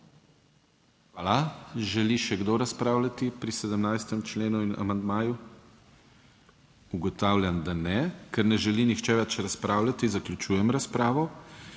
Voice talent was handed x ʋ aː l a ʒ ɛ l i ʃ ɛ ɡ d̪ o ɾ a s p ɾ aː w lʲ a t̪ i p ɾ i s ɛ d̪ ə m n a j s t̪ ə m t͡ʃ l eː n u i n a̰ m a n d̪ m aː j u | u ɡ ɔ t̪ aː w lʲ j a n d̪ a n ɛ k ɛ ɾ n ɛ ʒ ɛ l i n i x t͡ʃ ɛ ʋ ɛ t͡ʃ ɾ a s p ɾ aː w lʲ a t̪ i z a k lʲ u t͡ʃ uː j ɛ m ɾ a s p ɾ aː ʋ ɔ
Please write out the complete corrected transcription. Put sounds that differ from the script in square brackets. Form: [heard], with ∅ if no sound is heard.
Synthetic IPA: x ʋ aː l a ʒ ɛ l i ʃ ɛ ɡ d̪ o ɾ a s p ɾ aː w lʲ a t̪ i p ɾ i s ɛ d̪ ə m n a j s t̪ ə m t͡ʃ l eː n u i n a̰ m a n d̪ m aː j u | u ɡ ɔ t̪ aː w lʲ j a n d̪ a n ɛ k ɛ ɾ n ɛ ʒ ɛ l i n i x t͡ʃ ɛ ʋ ɛ t͡ʃ ɾ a s p ɾ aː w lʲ a t̪ i z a k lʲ u t͡ʃ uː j ɛ m ɾ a s p ɾ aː ʋ ɔ